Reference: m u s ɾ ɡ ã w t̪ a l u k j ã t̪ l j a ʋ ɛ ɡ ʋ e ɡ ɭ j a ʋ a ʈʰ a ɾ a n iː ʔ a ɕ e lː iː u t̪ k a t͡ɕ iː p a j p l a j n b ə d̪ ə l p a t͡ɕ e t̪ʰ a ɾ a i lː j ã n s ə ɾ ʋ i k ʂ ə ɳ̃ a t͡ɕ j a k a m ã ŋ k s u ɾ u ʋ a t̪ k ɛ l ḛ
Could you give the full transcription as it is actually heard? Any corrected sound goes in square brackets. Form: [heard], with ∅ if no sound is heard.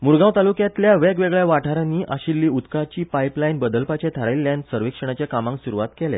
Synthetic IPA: m u [∅] ɾ ɡ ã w t̪ a l u k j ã t̪ l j a ʋ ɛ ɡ ʋ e ɡ ɭ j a ʋ a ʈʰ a ɾ a n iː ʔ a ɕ [i] lː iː u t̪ k a t͡ɕ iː p a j p l a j n b ə d̪ ə l p a t͡ɕ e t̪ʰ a ɾ a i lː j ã n s ə ɾ ʋ i k ʂ ə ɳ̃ a t͡ɕ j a k a m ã ŋ k s u ɾ u ʋ a t̪ k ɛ l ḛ